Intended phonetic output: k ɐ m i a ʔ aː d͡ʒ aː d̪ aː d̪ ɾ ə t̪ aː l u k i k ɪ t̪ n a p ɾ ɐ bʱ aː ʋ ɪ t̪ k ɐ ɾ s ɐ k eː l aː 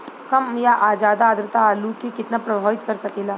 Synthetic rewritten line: k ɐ m j a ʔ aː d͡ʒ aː d̪ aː d̪ ɾ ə t̪ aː l u k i k ɪ t̪ n a p ɾ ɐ bʱ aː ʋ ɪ t̪ k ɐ ɾ s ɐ k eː l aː